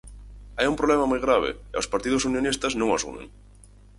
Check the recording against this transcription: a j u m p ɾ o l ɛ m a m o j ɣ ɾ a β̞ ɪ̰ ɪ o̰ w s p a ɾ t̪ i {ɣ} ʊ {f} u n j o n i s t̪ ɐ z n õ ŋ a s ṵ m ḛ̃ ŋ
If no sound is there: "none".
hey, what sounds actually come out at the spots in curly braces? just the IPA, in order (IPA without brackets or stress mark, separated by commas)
ð, s